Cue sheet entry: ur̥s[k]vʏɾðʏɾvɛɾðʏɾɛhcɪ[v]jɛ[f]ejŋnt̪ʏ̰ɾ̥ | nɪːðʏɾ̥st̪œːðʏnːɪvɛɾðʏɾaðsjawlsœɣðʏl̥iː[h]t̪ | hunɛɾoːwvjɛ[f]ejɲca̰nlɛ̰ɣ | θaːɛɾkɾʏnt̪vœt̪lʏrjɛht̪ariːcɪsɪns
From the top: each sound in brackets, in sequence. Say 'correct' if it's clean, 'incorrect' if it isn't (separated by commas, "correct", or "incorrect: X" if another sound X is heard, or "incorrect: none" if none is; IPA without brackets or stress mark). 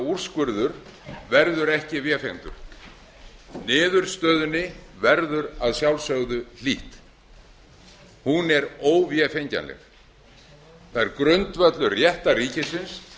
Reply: correct, correct, correct, correct, correct